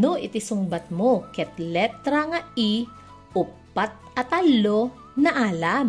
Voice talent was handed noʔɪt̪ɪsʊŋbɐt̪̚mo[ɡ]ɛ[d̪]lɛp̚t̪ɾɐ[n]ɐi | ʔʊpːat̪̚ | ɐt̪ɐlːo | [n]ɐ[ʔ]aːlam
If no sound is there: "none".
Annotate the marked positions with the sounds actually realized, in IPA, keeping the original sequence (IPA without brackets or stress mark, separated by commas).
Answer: k, t̪, ŋ, n, ʔ